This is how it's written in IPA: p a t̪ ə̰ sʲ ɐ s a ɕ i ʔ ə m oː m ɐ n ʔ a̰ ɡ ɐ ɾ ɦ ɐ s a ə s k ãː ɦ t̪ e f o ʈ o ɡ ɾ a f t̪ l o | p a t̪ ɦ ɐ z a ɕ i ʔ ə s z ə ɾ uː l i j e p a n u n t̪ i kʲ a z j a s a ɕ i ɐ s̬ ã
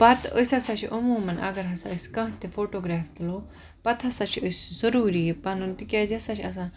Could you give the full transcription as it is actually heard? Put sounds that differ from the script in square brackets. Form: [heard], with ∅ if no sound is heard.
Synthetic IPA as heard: p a t̪ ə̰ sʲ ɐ s a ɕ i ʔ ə m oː m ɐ n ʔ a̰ ɡ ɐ ɾ ɦ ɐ s a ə s k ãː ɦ t̪ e f o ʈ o ɡ ɾ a f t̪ l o | p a t̪ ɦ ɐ [s] a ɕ i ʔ ə s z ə ɾ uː [ɾ] i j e p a n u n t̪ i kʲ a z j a s a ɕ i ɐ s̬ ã